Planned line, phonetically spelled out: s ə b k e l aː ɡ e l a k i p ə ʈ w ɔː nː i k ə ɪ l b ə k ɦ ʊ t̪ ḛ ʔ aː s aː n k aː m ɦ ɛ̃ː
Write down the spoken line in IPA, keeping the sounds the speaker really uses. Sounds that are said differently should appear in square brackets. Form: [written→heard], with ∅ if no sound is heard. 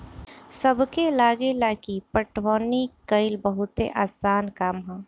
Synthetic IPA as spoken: s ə b k e l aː ɡ e l a k i p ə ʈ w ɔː [nː→n] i k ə ɪ l b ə [k→∅] ɦ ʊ t̪ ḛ ʔ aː s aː n k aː m ɦ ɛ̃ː